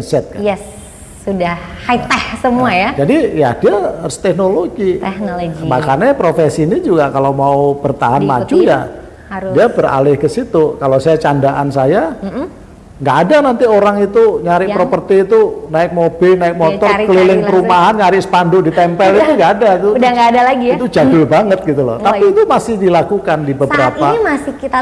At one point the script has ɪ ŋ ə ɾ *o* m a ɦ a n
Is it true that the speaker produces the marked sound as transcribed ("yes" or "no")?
no